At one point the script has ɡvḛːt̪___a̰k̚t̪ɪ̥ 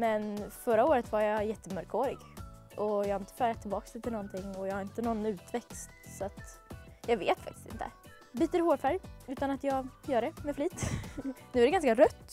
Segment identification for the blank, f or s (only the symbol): f